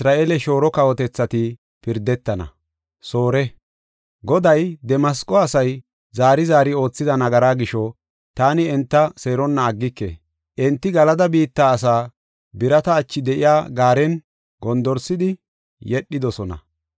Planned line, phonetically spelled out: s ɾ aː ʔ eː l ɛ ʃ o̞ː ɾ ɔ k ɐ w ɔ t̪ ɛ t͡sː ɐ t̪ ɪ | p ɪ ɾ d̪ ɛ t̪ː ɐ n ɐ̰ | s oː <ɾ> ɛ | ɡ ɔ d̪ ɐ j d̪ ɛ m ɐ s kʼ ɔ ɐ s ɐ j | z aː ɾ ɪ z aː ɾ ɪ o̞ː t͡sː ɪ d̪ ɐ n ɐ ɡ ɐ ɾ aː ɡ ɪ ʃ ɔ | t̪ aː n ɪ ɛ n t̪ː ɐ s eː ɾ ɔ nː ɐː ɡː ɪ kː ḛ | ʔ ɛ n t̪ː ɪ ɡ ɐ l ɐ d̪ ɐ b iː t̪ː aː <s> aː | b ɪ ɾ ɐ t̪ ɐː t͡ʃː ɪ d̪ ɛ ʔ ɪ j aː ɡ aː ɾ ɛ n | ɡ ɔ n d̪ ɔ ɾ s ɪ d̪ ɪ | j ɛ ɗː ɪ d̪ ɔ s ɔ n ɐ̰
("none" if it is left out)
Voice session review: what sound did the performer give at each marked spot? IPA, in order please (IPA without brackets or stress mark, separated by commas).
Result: ɾ, s